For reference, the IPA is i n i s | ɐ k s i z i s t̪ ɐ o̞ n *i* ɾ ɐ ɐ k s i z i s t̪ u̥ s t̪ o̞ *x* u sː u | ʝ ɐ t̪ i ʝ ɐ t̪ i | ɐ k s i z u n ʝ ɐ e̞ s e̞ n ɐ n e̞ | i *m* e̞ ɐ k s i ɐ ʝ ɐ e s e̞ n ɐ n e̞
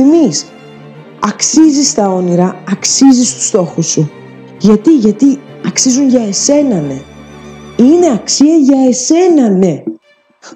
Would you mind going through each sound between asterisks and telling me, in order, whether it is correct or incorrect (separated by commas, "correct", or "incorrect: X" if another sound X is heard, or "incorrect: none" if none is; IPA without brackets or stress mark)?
correct, correct, incorrect: n